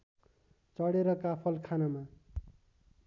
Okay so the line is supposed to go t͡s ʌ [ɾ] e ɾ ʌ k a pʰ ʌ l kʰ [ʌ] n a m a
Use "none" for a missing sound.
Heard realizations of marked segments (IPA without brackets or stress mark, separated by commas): ɽ, a